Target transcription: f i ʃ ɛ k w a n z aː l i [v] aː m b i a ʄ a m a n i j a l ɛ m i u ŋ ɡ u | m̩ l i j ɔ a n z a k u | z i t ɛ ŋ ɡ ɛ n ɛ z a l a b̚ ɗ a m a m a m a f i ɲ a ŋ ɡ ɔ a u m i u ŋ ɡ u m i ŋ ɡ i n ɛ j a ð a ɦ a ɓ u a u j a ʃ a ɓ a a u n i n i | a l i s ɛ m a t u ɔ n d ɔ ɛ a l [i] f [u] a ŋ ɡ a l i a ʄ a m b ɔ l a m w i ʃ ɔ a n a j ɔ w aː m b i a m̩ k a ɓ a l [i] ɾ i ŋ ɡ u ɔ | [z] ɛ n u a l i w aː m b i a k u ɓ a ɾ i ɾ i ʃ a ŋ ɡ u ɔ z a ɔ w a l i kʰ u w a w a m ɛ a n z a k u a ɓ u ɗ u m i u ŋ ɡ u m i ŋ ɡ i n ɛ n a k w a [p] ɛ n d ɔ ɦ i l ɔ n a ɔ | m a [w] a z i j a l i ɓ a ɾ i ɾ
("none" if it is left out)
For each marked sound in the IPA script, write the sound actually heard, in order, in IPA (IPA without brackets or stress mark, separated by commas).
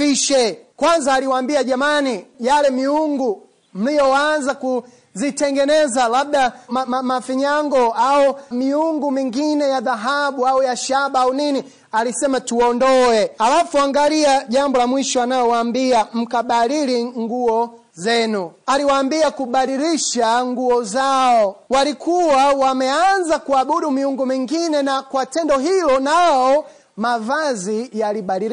w, a, u, i, z, t, v